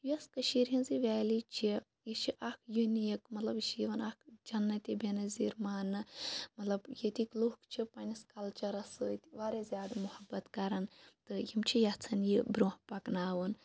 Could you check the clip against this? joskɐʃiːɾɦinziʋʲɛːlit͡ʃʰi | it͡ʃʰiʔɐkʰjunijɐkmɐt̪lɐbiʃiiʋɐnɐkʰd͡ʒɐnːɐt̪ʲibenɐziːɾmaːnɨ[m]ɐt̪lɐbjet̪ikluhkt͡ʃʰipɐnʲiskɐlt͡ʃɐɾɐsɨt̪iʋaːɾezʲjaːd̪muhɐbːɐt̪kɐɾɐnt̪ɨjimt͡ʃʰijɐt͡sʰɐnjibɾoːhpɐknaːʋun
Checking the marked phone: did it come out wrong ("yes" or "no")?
no